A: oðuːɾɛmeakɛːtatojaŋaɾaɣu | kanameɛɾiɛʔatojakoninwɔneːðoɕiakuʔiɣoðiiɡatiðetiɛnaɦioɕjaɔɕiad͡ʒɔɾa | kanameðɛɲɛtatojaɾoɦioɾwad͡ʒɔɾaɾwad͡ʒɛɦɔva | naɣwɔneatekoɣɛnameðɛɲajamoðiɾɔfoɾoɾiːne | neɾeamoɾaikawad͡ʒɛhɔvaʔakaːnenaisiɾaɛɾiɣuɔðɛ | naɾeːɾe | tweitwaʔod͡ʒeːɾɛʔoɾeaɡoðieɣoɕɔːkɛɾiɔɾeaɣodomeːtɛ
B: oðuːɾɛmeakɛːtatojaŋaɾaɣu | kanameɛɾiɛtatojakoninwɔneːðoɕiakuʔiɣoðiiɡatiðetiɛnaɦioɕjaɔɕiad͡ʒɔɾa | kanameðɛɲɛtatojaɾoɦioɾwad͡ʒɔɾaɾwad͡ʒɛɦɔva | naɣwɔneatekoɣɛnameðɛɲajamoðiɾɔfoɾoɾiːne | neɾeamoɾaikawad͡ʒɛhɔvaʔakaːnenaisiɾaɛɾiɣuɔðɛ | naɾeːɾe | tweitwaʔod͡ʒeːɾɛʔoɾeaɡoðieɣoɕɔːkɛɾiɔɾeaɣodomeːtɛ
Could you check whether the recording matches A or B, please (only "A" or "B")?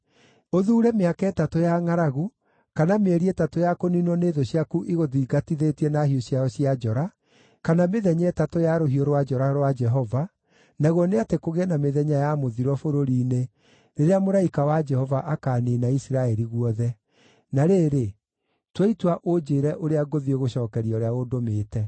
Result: B